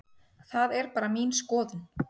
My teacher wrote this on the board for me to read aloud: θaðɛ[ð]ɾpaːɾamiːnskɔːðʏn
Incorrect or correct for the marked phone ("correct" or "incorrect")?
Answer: incorrect